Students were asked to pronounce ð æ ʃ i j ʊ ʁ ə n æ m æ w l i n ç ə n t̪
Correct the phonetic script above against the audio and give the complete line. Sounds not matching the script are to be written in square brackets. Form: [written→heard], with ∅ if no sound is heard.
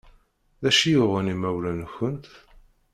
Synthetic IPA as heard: ð æ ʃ i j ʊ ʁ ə n [æ→i] m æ w l [i→æ] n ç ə n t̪